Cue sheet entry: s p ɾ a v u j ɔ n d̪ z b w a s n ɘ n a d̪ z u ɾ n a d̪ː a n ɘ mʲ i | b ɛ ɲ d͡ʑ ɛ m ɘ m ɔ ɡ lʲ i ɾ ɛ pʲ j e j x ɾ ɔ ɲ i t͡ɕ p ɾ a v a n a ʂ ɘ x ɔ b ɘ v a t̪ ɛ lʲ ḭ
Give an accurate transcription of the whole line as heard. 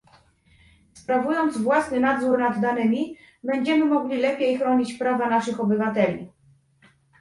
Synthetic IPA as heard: s p ɾ a v u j ɔ n d̪ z v w a s n ɘ n a d̪ z u ɾ n a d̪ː a n ɘ mʲ i | b ɛ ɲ d͡ʑ ɛ m ɘ m ɔ ɡ lʲ i l ɛ pʲ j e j x ɾ ɔ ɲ i t͡ɕ p ɾ a v a n a ʂ ɘ x ɔ b ɘ v a t̪ ɛ lʲ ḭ